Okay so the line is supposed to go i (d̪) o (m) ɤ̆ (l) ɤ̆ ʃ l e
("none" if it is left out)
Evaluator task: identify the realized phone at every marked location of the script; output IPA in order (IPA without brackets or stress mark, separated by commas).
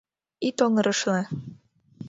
t̪, ŋ, ɾ